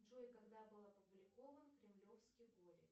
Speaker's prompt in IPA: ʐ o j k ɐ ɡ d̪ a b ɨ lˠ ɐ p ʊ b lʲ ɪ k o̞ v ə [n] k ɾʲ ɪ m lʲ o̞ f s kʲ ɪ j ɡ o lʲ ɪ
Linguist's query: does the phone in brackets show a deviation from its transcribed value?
no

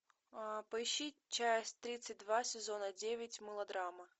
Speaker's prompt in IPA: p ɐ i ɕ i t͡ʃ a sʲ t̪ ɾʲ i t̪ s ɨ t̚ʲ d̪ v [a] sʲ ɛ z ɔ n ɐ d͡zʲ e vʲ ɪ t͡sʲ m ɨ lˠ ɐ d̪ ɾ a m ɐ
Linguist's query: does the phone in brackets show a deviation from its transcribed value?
no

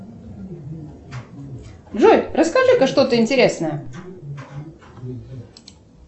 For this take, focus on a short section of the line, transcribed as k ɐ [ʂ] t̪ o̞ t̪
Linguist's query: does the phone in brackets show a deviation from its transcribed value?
no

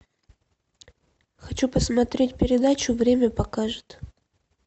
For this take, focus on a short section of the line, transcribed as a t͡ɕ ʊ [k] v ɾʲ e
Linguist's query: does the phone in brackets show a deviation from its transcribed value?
yes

